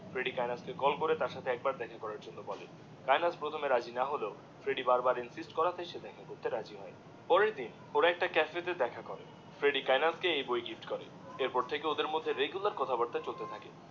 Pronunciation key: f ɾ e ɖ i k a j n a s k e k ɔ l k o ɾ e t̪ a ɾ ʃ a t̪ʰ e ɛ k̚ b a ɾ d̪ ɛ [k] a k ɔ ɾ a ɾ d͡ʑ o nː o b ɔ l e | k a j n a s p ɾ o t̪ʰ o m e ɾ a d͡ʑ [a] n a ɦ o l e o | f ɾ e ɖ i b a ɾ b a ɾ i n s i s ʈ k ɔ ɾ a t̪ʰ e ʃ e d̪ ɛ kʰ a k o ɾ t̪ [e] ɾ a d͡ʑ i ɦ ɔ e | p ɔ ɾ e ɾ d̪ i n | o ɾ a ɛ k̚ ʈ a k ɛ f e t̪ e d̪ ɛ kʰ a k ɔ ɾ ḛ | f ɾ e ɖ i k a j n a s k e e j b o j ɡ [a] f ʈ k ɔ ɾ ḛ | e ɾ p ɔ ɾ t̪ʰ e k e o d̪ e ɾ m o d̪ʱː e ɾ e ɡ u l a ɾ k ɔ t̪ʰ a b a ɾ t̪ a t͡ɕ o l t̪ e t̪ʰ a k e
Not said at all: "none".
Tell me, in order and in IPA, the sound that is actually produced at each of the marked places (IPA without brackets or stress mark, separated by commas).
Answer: kʰ, i, e, i